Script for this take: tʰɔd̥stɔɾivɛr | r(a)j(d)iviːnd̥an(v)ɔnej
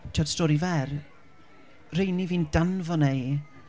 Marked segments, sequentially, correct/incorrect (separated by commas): incorrect, incorrect, correct